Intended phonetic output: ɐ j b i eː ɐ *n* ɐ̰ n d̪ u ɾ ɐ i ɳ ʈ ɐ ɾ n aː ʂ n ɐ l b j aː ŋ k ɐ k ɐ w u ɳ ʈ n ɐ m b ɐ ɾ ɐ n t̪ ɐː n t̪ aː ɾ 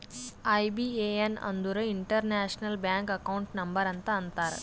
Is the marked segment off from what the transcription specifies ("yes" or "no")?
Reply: no